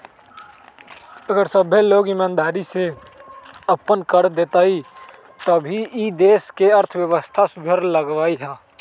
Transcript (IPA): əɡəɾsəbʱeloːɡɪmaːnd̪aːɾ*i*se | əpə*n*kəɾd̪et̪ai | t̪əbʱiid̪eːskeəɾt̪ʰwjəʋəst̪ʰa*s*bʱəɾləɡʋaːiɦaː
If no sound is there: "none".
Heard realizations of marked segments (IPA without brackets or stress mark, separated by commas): i, n, s